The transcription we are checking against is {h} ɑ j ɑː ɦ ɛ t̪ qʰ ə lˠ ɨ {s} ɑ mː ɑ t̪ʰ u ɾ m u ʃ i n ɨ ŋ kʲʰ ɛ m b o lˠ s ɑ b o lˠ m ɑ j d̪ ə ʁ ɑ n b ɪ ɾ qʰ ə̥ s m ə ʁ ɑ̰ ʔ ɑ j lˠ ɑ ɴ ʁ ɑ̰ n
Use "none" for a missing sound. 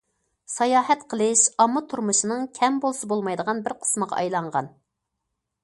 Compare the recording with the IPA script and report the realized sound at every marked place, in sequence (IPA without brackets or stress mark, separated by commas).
s, ʃ